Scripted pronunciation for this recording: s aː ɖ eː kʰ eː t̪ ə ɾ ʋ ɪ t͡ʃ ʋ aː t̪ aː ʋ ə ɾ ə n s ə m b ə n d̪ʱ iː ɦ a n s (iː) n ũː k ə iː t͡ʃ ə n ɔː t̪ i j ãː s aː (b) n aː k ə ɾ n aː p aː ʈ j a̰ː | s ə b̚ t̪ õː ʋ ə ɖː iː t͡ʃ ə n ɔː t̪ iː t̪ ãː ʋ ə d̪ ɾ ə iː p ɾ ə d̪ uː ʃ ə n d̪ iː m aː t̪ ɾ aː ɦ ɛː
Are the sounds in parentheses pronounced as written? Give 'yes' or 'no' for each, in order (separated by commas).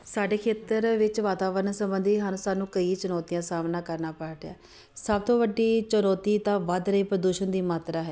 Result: no, no